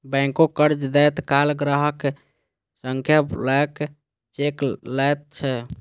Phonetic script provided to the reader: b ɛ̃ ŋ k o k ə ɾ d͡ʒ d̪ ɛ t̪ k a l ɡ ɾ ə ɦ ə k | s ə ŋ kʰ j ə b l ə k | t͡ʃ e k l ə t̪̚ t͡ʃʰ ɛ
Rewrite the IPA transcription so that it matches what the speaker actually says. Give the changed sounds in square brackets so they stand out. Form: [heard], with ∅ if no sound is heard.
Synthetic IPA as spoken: b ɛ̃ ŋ k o k ə ɾ d͡ʒ d̪ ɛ t̪ k a l ɡ ɾ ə ɦ ə k | s ə ŋ kʰ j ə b l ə k | t͡ʃ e k l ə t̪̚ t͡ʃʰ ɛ